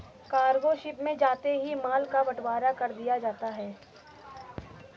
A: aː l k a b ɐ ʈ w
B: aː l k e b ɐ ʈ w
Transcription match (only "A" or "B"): A